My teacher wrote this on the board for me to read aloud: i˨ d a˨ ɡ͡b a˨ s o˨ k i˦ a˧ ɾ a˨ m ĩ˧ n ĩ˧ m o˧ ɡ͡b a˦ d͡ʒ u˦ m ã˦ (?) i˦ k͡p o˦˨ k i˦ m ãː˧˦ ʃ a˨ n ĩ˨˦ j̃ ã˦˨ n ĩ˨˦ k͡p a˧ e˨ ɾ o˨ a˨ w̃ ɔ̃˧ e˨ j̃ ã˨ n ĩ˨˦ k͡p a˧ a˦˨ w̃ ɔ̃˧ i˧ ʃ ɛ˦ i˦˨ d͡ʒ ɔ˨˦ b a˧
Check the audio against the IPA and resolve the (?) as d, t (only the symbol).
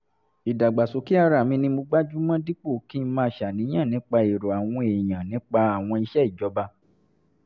d